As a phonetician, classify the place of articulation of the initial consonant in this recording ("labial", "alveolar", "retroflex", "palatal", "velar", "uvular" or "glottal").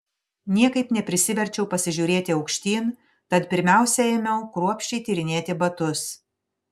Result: alveolar